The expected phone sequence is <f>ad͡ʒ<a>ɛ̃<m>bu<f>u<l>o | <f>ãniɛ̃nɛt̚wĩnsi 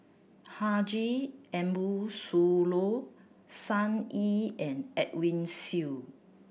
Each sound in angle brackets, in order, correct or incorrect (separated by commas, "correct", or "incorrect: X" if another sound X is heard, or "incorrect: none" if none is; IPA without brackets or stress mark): incorrect: h, incorrect: i, correct, incorrect: s, correct, incorrect: s